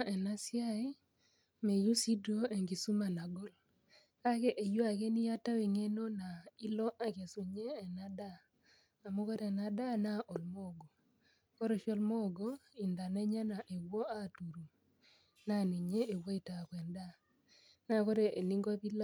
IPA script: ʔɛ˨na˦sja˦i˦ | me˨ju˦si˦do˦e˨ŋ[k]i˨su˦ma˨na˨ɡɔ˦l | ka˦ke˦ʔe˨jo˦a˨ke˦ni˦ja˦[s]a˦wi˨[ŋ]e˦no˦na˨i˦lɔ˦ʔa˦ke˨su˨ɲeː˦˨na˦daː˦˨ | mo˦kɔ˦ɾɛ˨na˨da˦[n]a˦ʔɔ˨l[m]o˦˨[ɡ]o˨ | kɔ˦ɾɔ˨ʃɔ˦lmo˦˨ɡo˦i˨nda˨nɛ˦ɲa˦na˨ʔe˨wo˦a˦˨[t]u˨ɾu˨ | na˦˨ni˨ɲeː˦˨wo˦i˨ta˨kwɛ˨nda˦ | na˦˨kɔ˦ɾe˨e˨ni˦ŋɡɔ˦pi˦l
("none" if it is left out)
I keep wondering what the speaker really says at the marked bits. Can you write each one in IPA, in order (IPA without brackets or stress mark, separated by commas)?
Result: ɡ, t, ŋ, n, m, ɡ, t